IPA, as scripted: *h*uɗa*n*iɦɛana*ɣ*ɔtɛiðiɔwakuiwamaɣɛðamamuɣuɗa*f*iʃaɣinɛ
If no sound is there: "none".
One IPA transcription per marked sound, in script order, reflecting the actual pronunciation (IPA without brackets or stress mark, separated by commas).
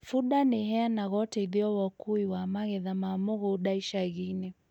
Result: f, n, ɣ, none